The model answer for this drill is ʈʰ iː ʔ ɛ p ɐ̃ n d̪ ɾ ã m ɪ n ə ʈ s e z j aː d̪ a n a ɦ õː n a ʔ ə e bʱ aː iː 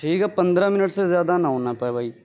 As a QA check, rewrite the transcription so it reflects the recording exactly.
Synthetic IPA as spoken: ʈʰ iː k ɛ p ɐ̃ n d̪ ɾ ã m ɪ n ə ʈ s e z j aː d̪ a n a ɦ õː n a p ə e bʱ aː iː